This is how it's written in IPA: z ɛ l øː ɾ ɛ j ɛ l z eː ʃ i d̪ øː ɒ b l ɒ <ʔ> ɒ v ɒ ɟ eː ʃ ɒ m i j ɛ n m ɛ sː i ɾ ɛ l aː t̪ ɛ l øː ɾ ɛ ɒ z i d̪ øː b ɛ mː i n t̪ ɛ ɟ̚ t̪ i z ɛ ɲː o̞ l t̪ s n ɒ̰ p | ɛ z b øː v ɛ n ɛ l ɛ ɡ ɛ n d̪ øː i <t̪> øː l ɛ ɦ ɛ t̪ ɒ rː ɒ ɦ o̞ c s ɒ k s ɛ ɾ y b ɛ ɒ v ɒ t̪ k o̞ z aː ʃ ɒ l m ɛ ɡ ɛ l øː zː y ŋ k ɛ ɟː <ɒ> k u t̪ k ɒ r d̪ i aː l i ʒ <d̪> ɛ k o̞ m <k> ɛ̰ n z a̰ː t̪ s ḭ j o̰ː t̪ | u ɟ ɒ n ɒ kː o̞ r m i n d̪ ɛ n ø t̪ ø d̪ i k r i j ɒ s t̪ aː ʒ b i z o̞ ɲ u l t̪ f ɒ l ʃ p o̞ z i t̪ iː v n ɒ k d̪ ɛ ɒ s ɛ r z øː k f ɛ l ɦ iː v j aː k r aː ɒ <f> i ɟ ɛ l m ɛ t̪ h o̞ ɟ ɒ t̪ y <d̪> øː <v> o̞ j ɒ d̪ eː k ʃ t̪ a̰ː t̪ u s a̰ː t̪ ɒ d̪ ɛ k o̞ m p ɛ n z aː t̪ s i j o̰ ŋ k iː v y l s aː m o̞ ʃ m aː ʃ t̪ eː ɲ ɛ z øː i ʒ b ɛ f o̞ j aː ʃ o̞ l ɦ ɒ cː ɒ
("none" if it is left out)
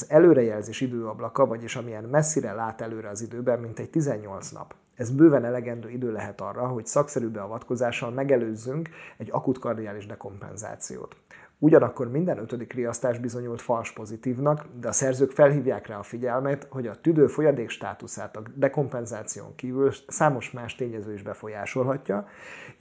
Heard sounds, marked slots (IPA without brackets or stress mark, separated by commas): k, d̪, ɒ, d̪, p, f, d̪, f